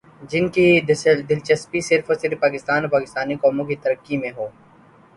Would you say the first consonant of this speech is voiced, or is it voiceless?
voiced